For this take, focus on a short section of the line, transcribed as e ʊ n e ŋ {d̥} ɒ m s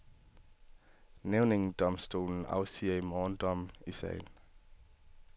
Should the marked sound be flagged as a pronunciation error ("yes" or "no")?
no